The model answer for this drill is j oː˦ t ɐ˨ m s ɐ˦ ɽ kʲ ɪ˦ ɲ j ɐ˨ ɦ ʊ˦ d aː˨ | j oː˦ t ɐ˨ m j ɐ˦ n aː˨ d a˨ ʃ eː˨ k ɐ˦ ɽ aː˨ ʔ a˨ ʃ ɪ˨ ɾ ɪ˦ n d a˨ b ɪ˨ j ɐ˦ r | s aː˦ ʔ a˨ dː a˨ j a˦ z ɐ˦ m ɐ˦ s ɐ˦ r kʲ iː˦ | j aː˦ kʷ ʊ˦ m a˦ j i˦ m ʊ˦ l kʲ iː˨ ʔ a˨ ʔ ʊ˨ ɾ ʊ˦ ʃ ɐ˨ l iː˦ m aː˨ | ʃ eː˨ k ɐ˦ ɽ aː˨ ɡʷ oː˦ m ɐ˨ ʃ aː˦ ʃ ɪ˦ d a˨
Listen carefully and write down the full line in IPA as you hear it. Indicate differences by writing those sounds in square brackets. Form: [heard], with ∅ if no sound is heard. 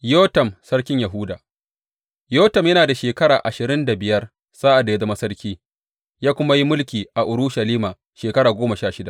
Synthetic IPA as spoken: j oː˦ t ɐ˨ m s ɐ˦ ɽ kʲ ɪ˦ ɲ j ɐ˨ ɦ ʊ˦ d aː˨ | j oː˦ t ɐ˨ m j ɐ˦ n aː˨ d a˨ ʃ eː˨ k ɐ˦ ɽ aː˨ ʔ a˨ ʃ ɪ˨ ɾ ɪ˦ n d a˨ b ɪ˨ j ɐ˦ r | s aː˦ ʔ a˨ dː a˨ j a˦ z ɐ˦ m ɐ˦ s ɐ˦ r kʲ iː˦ | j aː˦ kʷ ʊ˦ m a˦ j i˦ m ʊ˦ l kʲ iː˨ ʔ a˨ ʔ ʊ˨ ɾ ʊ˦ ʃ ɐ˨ l iː˦ m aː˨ | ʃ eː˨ k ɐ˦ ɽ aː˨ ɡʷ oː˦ m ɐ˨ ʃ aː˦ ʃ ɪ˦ d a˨